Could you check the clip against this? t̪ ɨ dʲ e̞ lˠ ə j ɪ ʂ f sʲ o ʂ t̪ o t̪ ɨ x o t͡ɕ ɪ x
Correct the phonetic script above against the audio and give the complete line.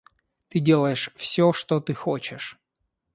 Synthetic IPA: t̪ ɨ dʲ e̞ lˠ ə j ɪ ʂ f sʲ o ʂ t̪ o t̪ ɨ x o t͡ɕ ɪ ʂ